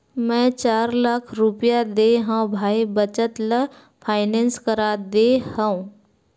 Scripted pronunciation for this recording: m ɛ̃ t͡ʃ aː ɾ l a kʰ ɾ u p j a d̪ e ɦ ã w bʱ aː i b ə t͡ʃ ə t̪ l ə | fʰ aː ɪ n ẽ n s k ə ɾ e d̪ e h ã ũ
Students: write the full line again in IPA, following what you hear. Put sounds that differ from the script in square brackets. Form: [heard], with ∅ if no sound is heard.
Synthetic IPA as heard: m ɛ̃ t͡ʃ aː ɾ l a kʰ ɾ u p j a d̪ e ɦ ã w bʱ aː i b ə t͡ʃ ə t̪ l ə | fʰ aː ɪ n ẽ n s k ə ɾ [a] d̪ e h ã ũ